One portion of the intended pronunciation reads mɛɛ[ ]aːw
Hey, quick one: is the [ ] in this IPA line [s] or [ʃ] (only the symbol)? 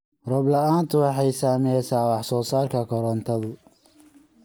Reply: s